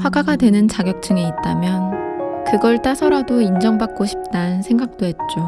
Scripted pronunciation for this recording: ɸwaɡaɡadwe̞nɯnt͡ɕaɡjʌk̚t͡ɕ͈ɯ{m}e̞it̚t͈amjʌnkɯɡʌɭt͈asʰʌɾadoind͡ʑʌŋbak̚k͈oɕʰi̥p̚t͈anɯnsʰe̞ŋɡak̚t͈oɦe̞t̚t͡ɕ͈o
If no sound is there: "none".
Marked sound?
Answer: ŋ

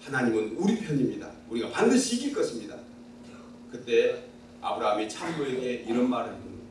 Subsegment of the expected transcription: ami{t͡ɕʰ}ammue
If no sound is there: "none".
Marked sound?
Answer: t͡ɕʰ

